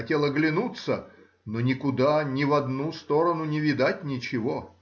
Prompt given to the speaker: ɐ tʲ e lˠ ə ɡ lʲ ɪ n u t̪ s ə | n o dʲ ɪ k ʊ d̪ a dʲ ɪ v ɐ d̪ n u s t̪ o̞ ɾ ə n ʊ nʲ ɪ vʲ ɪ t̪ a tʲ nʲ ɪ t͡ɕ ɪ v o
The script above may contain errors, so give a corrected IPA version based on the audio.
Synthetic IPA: ɐ tʲ e lˠ ə ɡ lʲ ɪ n u t̪ s ə | n o nʲ ɪ k ʊ d̪ a nʲ ɪ v ɐ d̪ n u s t̪ o̞ ɾ ə n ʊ nʲ ɪ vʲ ɪ d̪ a tʲ nʲ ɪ t͡ɕ ɪ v o